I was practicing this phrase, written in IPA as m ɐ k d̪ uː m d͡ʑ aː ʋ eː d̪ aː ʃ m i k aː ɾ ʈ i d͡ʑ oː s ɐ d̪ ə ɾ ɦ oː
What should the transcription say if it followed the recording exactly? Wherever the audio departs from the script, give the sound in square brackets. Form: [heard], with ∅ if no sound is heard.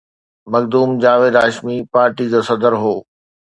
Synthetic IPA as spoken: m ɐ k d̪ uː m d͡ʑ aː ʋ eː d̪ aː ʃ m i [p] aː ɾ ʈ i d͡ʑ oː s ɐ d̪ ə ɾ ɦ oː